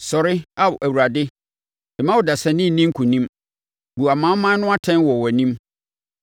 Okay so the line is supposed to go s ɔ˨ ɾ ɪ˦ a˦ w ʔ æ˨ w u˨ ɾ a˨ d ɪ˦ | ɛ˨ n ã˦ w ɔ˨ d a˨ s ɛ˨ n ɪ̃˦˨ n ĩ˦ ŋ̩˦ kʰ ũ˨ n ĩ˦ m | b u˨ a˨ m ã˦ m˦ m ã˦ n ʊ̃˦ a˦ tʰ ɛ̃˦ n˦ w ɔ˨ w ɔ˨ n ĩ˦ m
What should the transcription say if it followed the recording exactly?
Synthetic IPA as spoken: s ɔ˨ ɾ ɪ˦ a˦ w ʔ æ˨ w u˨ ɾ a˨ d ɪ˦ | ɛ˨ m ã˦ w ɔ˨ d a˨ s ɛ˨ n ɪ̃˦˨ n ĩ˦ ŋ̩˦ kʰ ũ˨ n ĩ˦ m | b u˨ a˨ m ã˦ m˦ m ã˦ n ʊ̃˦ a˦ tʰ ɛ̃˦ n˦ w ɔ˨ w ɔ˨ n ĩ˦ m